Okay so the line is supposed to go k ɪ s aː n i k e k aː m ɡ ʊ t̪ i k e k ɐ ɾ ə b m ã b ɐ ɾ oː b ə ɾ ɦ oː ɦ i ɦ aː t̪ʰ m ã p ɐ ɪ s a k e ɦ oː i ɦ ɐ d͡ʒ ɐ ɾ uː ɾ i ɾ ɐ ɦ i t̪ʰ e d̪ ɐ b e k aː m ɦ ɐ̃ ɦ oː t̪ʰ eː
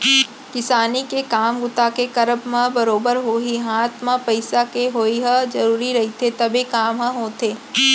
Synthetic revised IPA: k ɪ s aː n i k e k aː m ɡ ʊ t̪ a k e k ɐ ɾ ə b m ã b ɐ ɾ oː b ə ɾ ɦ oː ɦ i ɦ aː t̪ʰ m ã p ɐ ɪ s a k e ɦ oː i ɦ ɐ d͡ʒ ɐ ɾ uː ɾ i ɾ ɐ ɦ i t̪ʰ e t̪ ɐ b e k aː m ɦ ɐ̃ ɦ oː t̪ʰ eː